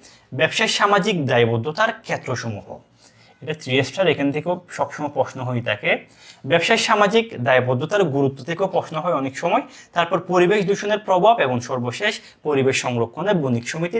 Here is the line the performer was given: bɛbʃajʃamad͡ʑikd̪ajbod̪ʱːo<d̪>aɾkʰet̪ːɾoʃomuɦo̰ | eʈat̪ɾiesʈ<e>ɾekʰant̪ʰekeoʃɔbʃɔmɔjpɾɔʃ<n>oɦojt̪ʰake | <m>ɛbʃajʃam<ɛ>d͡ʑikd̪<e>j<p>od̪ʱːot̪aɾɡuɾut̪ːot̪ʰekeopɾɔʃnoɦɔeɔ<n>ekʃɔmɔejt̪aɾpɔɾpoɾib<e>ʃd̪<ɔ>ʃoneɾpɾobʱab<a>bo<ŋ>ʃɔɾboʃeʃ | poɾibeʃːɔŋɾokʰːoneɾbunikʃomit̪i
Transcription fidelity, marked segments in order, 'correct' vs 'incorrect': incorrect: t̪, incorrect: a, correct, incorrect: b, incorrect: a, incorrect: a, incorrect: b, correct, correct, incorrect: u, incorrect: e, correct

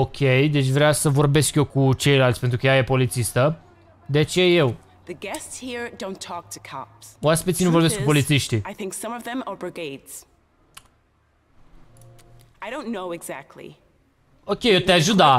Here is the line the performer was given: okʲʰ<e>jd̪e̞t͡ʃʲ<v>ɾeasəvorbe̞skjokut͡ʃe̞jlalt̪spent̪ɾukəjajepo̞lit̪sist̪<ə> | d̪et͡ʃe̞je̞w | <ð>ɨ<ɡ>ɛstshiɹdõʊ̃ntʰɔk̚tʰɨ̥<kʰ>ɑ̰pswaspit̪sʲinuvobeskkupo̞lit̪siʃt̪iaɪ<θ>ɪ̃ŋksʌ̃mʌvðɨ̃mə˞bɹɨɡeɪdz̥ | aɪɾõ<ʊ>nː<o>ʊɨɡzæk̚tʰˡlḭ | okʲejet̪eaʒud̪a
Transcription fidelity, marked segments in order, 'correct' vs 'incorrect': correct, correct, correct, correct, correct, correct, correct, incorrect: ʊ̃, correct

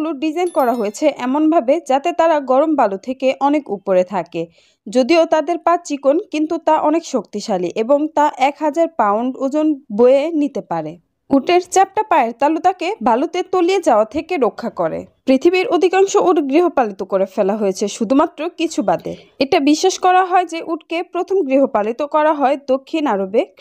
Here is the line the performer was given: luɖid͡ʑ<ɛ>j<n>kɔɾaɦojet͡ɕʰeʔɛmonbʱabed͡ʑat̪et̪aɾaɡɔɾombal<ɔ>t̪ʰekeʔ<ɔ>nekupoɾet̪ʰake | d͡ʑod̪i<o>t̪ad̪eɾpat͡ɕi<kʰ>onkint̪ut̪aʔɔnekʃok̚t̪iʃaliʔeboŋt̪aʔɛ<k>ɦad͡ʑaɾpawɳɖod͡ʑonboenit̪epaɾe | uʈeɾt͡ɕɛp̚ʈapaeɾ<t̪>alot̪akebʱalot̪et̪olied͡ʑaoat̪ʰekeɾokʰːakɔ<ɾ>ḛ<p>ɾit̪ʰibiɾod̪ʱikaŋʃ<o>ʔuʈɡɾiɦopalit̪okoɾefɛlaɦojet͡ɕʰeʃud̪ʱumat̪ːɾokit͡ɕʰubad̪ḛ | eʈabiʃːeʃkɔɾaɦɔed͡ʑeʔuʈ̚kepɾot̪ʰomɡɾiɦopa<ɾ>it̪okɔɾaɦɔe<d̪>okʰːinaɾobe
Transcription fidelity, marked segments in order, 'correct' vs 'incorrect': incorrect: a, correct, incorrect: u, correct, correct, incorrect: k, correct, correct, correct, correct, correct, incorrect: l, correct

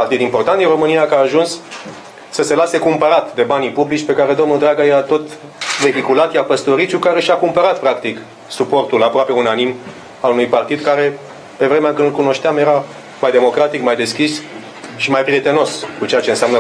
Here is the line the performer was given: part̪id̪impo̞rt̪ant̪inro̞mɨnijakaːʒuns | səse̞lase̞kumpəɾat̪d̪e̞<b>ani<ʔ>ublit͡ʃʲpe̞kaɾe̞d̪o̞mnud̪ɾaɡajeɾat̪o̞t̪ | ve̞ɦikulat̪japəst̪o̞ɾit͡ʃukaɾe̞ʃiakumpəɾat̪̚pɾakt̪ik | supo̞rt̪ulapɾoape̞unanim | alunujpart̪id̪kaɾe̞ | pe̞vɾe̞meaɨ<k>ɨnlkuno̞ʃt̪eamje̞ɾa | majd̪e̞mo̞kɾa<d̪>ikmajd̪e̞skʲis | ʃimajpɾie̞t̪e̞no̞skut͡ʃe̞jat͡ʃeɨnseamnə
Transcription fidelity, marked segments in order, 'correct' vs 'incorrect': correct, incorrect: p, correct, incorrect: t̪

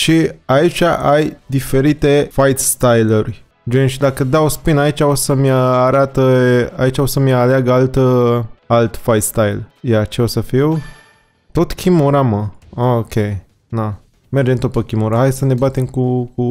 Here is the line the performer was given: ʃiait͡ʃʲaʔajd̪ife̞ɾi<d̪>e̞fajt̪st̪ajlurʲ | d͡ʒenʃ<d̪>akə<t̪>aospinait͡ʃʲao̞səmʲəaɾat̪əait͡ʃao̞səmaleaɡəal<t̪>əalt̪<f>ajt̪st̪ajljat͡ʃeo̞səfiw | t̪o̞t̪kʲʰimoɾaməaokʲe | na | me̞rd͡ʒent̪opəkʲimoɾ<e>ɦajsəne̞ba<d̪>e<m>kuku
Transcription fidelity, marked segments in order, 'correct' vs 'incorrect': incorrect: t̪, correct, incorrect: d̪, correct, correct, incorrect: a, incorrect: t̪, correct

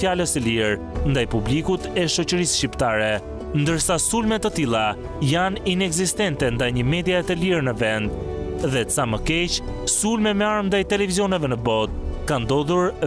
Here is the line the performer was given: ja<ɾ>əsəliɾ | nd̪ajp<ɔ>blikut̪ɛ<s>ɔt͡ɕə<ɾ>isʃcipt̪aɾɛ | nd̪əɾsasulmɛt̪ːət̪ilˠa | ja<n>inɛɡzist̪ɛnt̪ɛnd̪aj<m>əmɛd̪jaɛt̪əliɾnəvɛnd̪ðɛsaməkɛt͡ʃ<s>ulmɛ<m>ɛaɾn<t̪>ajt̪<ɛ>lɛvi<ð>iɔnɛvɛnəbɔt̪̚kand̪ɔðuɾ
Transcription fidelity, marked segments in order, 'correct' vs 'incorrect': incorrect: l, incorrect: u, incorrect: ʃ, correct, correct, incorrect: ɲ, correct, correct, incorrect: d̪, correct, incorrect: z

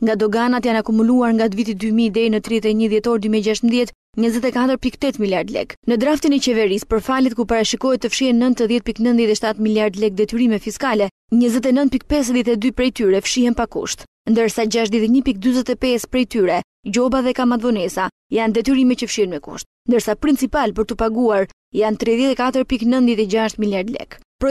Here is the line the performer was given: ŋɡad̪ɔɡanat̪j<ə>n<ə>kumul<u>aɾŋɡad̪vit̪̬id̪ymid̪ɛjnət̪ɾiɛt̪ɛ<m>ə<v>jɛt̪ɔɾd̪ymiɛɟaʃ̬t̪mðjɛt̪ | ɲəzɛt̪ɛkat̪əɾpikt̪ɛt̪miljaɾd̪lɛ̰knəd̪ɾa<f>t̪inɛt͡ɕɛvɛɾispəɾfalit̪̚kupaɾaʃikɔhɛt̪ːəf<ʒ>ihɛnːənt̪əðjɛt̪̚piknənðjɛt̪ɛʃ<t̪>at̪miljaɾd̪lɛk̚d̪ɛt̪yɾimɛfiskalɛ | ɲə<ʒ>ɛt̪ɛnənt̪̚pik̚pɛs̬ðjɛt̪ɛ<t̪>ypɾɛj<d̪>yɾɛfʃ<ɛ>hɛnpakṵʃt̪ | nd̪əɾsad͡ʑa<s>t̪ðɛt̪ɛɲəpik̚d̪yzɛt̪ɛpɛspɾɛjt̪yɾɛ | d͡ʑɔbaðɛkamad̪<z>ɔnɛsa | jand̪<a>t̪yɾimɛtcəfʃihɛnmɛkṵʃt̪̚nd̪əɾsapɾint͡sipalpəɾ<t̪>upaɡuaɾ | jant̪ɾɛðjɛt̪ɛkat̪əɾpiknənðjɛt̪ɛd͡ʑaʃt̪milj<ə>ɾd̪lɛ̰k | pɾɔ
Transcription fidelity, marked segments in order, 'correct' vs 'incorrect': incorrect: a, incorrect: a, correct, incorrect: ɲ, incorrect: ð, correct, incorrect: ʃ, correct, incorrect: z, incorrect: d̪, incorrect: t̪, incorrect: i, incorrect: ʃ, incorrect: v, incorrect: ɛ, correct, incorrect: a

